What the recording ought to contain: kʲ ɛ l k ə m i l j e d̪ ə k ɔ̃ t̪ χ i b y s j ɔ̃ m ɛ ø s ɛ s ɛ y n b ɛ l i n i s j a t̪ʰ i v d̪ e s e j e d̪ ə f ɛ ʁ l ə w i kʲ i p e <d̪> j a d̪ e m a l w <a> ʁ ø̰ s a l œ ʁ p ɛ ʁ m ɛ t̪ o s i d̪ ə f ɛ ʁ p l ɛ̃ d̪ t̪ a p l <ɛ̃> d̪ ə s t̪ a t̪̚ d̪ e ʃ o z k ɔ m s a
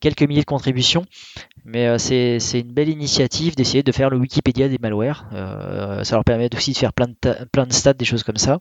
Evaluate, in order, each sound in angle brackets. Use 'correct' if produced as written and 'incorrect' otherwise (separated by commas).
correct, incorrect, correct